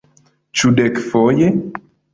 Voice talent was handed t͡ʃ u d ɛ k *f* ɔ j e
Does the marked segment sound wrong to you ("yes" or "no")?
no